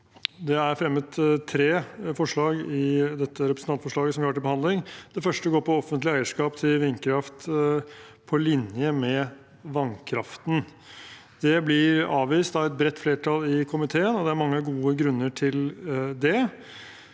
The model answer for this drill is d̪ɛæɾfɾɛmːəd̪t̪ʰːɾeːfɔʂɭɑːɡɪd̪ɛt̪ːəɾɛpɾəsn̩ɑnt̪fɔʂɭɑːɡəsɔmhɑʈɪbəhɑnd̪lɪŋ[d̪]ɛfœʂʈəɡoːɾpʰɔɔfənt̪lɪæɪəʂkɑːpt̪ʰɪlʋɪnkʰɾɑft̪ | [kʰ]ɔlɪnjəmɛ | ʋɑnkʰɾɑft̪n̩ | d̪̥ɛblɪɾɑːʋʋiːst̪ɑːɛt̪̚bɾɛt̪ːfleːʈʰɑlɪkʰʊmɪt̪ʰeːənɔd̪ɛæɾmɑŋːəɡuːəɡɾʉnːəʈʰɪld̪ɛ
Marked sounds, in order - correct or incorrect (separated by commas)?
correct, incorrect